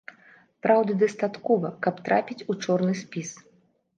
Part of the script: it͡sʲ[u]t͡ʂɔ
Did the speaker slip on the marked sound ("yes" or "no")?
no